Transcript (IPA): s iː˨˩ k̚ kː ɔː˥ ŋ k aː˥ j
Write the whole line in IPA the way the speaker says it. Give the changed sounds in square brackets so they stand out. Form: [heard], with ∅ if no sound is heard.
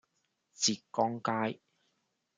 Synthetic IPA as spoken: [t͡s] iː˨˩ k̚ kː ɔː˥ ŋ k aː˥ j

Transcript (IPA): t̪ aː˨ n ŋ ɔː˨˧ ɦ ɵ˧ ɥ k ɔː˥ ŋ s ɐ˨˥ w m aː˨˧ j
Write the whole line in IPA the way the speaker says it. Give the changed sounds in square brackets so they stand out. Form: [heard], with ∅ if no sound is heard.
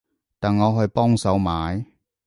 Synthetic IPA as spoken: t̪ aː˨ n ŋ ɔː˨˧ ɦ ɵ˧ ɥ [p] ɔː˥ ŋ s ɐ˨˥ w m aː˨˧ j

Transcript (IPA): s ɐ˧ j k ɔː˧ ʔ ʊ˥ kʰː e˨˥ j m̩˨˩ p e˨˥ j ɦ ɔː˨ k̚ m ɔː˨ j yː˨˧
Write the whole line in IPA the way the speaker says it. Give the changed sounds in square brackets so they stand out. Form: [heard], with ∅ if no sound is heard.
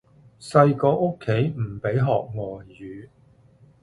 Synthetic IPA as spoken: s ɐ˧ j k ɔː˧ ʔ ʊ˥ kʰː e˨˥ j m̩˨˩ p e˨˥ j ɦ ɔː˨ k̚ [ŋ] ɔː˨ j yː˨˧

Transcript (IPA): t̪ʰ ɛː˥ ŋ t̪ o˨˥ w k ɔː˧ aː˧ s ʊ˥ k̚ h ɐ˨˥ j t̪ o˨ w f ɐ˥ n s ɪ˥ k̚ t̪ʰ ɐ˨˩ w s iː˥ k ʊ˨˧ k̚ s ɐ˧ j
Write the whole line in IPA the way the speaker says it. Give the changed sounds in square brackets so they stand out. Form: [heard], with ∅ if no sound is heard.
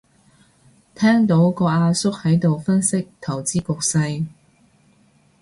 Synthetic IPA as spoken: t̪ʰ ɛː˥ ŋ t̪ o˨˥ w k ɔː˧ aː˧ s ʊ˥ k̚ h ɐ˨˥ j t̪ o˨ w f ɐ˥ n s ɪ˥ k̚ t̪ʰ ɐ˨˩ w [t͡s] iː˥ k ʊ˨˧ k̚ s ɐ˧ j

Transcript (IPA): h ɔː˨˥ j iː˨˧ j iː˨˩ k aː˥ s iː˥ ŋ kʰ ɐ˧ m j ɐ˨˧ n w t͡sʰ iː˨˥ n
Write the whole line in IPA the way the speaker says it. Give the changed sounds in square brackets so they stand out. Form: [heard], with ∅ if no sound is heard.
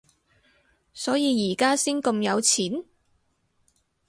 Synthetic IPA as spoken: [s] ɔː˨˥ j iː˨˧ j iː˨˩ k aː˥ s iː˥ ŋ [k] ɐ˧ m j ɐ˨˧ [∅] w t͡sʰ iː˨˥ n

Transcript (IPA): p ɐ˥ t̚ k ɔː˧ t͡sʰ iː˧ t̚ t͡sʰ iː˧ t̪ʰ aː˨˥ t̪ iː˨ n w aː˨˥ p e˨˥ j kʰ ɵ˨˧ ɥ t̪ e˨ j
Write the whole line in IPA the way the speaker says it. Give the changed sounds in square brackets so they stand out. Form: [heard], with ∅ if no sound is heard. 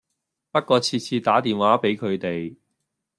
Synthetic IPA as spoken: p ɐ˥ t̚ k ɔː˧ t͡sʰ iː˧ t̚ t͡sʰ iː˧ [t̪] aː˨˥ t̪ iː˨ n w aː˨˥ p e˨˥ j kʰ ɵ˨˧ ɥ t̪ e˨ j

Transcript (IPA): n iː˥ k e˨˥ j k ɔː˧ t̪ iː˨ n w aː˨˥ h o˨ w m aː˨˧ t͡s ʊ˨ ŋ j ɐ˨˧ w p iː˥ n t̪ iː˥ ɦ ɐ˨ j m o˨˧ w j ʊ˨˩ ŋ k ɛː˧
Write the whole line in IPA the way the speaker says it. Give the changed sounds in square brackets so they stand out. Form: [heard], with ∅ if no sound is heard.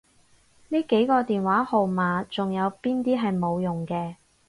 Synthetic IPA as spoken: n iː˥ k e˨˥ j k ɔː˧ t̪ iː˨ n w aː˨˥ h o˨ w m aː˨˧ t͡s ʊ˨ ŋ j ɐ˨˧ w p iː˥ n t̪ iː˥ ɦ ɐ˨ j m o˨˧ w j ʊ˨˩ ŋ k ɛː˧

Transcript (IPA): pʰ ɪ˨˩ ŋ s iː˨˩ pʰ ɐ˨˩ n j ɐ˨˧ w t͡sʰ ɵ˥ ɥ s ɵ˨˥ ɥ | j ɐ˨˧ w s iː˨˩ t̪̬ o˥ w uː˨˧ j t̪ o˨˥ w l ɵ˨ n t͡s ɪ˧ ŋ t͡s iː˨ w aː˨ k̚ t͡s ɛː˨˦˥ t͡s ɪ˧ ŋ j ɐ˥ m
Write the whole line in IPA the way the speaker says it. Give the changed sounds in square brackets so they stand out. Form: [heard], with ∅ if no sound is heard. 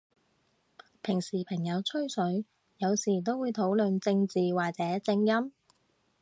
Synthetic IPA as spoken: pʰ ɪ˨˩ ŋ s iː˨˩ pʰ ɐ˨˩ [ŋ] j ɐ˨˧ w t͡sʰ ɵ˥ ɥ s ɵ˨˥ ɥ | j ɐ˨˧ w s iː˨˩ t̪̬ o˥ w uː˨˧ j [t̪ʰ] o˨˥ w l ɵ˨ n t͡s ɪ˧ ŋ t͡s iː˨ w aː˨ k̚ t͡s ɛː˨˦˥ t͡s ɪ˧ ŋ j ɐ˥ m

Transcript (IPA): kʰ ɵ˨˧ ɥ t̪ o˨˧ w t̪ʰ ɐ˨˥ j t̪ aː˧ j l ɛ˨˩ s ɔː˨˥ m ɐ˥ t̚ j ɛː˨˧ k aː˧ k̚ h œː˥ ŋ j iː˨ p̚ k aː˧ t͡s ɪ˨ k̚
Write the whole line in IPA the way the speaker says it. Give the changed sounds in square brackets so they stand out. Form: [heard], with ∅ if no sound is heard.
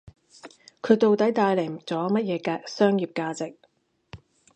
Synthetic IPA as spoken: kʰ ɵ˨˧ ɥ t̪ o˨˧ w [t̪] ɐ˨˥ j t̪ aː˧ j l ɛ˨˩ [t͡s] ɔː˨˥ m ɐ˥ t̚ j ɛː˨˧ k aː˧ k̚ [s] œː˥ ŋ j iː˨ p̚ k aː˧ t͡s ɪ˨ k̚

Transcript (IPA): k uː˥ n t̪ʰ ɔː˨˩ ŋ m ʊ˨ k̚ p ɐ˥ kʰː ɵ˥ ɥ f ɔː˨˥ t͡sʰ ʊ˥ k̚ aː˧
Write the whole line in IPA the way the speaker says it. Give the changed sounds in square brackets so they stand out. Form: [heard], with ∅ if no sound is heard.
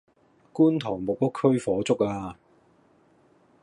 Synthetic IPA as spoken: k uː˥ n t̪ʰ ɔː˨˩ ŋ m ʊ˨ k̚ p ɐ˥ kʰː ɵ˥ ɥ f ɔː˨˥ [t͡s] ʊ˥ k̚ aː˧

